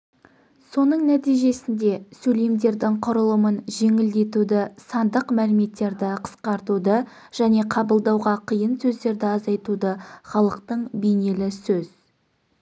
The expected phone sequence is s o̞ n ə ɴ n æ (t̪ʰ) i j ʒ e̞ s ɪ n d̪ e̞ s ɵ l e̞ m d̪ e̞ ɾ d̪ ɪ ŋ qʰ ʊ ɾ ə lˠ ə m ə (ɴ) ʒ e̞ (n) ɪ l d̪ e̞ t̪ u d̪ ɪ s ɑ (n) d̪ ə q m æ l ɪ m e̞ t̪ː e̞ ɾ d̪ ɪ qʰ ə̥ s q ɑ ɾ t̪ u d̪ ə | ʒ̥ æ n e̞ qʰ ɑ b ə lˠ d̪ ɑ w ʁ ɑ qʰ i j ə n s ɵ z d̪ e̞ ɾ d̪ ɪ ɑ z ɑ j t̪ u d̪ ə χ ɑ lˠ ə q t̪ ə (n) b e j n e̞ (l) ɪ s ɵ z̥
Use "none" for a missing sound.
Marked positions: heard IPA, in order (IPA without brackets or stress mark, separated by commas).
t̪, n, ŋ, n, ɴ, l